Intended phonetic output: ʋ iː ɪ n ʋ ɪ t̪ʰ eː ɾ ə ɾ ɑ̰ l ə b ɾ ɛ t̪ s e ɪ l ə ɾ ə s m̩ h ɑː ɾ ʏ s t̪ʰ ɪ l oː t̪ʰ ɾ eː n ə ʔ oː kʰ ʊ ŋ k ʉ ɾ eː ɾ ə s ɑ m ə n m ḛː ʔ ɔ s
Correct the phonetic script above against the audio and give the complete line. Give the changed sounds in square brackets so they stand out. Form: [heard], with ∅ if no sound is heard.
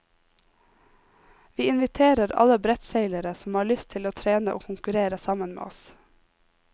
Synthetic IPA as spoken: ʋ iː ɪ n ʋ ɪ t̪ʰ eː ɾ ə ɾ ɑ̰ l ə b ɾ ɛ t̪ s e ɪ l ə ɾ ə s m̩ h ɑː [ɭ] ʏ s t̪ʰ ɪ l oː t̪ʰ ɾ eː n ə ʔ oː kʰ ʊ ŋ k ʉ ɾ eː ɾ ə s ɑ m ə n m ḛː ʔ ɔ s